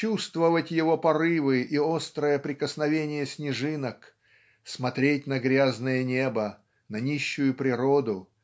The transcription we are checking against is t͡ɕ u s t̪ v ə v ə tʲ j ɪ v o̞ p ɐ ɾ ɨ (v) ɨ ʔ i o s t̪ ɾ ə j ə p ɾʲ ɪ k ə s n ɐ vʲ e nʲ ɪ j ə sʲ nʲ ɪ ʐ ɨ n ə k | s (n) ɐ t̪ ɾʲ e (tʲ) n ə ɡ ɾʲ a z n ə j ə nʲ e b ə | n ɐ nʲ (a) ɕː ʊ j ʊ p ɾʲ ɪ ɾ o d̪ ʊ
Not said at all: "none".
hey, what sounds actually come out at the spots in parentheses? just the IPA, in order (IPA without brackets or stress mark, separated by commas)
v, m, tʲ, i